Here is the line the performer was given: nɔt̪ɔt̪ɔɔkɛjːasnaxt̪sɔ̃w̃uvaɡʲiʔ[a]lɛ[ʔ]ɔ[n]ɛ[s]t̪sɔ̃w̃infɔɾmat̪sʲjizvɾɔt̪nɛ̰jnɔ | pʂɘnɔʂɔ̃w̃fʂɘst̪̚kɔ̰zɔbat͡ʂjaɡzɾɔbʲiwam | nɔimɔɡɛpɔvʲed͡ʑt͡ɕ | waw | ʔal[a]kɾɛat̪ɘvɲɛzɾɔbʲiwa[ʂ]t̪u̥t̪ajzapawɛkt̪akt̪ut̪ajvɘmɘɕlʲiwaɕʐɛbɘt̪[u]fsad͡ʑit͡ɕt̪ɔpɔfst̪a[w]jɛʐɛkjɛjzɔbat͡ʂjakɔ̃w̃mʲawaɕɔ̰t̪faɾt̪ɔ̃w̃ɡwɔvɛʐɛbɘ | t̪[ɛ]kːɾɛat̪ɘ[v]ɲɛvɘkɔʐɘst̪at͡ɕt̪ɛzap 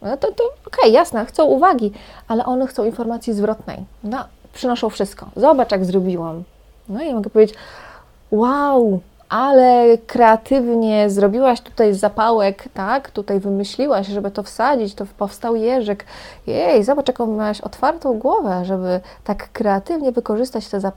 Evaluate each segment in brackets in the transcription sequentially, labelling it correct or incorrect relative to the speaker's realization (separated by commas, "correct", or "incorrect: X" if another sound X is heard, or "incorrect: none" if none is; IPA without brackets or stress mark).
correct, correct, correct, incorrect: x, incorrect: ɛ, incorrect: ɕ, incorrect: ɔ, correct, incorrect: a, correct